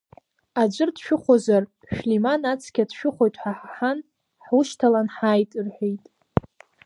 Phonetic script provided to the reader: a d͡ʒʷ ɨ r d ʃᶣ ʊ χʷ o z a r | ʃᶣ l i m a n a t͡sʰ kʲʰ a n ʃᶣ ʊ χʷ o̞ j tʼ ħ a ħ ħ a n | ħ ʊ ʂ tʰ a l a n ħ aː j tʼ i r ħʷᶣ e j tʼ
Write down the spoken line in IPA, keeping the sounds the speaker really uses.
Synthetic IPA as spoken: a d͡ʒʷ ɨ r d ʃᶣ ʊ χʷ o z a r | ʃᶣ l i m a n a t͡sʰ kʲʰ a d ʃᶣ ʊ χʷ o̞ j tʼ ħ a ħ ħ a n | ħ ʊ ʃ tʰ a l a n ħ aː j tʼ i r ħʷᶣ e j tʼ